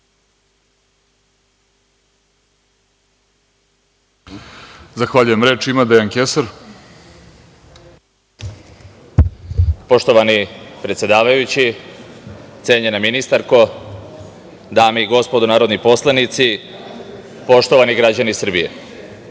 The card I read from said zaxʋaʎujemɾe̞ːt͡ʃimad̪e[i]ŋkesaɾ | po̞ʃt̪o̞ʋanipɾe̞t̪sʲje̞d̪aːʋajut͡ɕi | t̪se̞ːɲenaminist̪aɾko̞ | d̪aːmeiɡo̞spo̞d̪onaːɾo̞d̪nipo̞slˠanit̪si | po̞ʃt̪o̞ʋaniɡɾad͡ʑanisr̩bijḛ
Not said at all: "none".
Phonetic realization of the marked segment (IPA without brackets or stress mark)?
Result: a